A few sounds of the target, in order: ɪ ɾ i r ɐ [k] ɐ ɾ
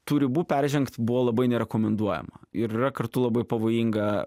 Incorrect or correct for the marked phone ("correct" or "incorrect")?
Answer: correct